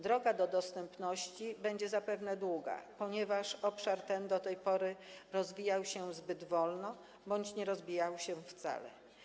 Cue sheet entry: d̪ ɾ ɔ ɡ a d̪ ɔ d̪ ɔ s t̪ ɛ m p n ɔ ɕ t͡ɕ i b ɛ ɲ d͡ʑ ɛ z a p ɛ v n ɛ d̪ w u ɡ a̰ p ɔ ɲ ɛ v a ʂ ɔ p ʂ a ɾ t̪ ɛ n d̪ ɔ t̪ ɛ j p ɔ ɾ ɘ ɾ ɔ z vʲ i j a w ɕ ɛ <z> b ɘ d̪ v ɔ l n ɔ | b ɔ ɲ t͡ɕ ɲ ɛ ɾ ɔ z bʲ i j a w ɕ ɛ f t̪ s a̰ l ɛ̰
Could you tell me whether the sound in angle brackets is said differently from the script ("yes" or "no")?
no